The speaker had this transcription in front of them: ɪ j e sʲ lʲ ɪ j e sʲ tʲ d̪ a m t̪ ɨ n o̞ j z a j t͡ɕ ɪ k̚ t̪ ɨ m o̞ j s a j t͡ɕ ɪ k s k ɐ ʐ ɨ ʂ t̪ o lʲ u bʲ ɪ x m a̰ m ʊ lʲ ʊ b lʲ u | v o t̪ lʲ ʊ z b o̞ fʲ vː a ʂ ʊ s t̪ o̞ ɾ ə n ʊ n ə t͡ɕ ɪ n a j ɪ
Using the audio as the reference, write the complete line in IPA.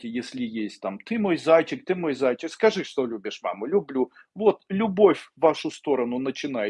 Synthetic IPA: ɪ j e sʲ lʲ ɪ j e sʲ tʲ t̪ a m t̪ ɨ m o̞ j z a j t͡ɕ ɪ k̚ t̪ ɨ m o̞ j z a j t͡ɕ ɪ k s k ɐ ʐ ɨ ʂ t̪ o lʲ u bʲ ɪ ʂ m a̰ m ʊ lʲ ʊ b lʲ u | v o t̪ lʲ ʊ b o̞ fʲ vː a ʂ ʊ s t̪ o̞ ɾ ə n ʊ n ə t͡ɕ ɪ n a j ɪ